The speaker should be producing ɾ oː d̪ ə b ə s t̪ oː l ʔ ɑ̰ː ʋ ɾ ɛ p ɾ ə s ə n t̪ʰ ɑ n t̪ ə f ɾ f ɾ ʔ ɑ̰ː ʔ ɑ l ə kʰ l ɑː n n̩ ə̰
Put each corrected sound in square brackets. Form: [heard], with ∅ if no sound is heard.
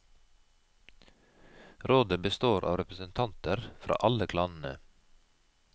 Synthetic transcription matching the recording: ɾ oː d̪ ə b ə s t̪ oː [ɾ] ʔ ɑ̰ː ʋ ɾ ɛ p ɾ ə s ə n t̪ʰ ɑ n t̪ ə [∅] ɾ f ɾ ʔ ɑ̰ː ʔ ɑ l ə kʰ l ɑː n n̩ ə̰

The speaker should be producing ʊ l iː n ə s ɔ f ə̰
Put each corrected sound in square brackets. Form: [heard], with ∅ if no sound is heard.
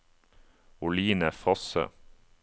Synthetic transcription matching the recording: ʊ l iː n ə [f] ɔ [s] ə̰

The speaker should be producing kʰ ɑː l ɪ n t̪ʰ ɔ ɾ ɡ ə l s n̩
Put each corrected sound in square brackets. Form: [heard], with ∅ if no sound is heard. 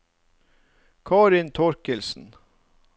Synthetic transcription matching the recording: kʰ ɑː [ɾ] ɪ n t̪ʰ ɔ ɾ [k] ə l s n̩

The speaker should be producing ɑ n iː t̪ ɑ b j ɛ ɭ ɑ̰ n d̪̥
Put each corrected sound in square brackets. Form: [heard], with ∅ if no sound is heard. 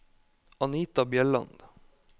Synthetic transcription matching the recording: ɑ n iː t̪ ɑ b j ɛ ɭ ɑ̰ n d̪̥

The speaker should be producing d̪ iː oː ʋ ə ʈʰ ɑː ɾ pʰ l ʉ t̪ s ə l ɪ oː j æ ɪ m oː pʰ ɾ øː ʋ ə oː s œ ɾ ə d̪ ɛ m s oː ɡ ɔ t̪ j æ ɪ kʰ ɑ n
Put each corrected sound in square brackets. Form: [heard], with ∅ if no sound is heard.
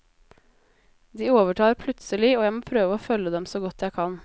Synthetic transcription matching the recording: d̪ iː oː ʋ ə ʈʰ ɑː ɾ pʰ l ʉ t̪ s ə l ɪ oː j æ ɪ m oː pʰ ɾ øː ʋ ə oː [f] œ [l] ə d̪ ɛ m s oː ɡ ɔ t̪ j æ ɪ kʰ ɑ n

